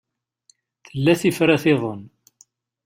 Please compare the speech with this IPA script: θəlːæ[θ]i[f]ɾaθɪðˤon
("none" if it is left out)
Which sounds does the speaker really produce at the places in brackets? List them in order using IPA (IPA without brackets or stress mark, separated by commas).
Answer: θ, f